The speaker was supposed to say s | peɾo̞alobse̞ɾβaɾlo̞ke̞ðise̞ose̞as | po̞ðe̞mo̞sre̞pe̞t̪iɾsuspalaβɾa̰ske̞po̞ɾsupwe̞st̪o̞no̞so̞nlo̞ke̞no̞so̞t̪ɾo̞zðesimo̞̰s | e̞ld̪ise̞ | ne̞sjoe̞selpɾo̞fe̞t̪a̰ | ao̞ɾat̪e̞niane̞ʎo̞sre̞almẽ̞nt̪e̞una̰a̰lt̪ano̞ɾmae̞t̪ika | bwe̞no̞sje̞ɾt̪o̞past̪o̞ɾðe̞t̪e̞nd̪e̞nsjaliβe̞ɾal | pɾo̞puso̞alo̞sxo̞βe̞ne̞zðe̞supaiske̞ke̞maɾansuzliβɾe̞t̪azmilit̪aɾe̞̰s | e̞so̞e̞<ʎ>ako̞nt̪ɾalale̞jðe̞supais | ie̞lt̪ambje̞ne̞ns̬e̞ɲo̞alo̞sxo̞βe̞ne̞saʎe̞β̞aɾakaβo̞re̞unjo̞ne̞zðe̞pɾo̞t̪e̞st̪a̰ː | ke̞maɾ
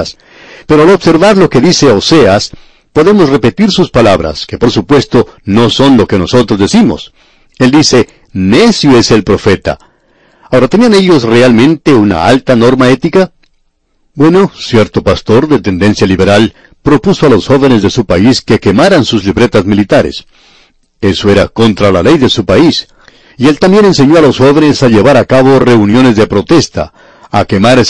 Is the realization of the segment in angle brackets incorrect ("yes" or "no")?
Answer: yes